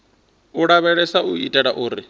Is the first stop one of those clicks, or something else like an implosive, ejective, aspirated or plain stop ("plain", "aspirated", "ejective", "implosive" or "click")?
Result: ejective